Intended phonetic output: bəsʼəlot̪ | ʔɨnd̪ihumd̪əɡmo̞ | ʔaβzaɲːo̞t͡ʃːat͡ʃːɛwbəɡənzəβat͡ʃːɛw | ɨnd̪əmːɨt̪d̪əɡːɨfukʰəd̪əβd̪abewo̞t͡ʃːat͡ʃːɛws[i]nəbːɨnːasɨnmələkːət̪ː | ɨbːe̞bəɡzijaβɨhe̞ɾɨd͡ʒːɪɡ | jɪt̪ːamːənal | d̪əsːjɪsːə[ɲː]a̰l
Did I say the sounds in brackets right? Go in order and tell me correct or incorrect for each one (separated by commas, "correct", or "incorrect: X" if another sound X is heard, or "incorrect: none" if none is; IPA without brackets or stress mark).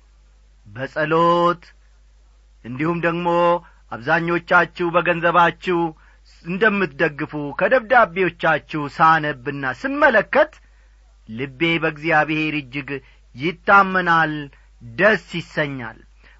incorrect: a, correct